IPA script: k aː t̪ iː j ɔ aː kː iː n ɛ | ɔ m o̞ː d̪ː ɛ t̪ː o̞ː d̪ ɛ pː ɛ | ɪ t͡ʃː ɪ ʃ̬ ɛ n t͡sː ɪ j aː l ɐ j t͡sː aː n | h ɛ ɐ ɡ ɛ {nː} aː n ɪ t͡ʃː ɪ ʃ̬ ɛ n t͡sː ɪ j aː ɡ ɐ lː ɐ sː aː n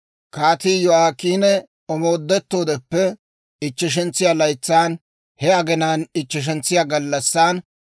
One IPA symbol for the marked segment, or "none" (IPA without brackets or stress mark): n